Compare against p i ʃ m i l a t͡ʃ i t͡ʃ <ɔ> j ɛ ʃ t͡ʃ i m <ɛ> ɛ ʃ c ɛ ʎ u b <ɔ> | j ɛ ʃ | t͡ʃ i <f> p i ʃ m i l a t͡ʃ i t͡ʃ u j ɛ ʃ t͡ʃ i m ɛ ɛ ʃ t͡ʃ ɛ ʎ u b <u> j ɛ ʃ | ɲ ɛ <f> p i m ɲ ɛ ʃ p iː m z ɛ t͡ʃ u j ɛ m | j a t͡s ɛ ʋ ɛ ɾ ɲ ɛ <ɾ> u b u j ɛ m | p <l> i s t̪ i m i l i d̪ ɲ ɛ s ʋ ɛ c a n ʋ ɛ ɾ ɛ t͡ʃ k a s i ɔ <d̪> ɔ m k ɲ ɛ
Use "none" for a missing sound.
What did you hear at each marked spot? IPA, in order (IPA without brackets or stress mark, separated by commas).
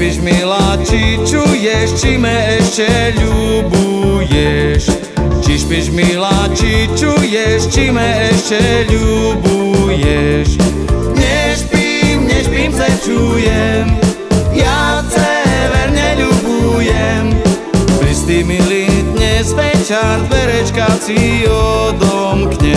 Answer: u, ɛ, u, ʃ, u, ʃ, ʎ, ɾ, d̪